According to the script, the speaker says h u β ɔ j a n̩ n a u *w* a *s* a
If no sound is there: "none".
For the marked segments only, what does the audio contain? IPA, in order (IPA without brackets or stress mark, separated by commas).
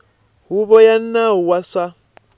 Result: w, s